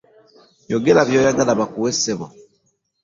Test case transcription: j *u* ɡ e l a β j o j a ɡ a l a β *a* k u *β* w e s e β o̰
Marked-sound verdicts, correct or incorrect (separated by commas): incorrect, correct, incorrect